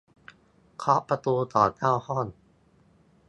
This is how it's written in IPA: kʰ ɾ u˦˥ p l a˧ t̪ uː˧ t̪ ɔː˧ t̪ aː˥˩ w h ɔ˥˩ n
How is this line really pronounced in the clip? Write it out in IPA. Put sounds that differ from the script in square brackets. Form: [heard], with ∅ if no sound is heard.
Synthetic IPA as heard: kʰ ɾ [ɔ˦˥] p [ɾ] a˧ t̪ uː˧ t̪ [ɔː˨˩] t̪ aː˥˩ w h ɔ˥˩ n